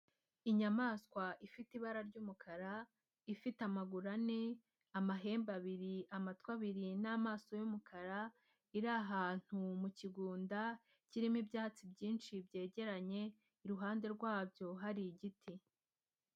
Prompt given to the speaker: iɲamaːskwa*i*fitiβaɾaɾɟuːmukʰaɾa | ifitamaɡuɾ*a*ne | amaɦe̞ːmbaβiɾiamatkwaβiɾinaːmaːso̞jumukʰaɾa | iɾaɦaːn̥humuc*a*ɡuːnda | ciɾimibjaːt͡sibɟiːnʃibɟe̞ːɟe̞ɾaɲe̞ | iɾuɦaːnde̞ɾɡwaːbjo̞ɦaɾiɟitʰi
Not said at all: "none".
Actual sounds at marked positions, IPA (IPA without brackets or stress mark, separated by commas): i, a, i